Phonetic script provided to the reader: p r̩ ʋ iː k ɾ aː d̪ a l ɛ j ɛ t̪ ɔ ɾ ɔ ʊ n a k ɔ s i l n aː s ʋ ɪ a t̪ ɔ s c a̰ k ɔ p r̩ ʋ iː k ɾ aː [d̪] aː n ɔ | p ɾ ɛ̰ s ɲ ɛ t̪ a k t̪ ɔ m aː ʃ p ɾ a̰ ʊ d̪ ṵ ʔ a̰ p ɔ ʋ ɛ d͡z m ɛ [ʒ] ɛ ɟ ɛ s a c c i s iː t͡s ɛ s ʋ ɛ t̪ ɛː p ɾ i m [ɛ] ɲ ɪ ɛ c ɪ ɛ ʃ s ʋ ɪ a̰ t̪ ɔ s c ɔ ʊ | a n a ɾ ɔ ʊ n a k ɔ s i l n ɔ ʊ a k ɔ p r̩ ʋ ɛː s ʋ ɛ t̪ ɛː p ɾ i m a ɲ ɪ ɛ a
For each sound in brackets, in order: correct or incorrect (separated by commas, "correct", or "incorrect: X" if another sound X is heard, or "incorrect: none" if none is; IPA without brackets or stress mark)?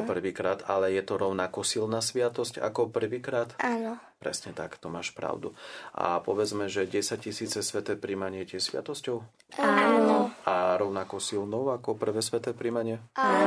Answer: incorrect: t̪, correct, incorrect: a